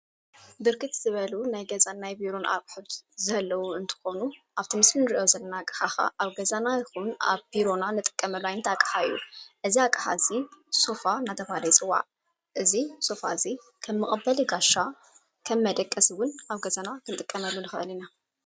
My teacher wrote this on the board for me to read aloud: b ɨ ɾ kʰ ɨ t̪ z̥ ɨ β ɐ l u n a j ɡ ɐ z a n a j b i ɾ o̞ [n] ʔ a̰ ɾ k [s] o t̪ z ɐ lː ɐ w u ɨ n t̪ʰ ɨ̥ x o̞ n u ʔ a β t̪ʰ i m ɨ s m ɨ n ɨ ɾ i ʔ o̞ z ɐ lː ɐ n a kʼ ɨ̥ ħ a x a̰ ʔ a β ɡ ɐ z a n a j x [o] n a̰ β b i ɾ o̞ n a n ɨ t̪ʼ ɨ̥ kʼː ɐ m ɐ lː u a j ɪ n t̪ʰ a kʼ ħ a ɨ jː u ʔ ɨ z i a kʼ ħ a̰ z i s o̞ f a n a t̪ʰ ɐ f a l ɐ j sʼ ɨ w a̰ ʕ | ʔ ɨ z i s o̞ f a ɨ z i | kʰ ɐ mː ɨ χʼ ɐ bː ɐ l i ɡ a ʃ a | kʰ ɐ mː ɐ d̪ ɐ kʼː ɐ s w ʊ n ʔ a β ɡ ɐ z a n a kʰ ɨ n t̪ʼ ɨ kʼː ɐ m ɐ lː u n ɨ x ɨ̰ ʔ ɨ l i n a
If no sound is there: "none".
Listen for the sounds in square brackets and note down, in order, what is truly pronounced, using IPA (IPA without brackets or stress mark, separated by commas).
n, ħ, u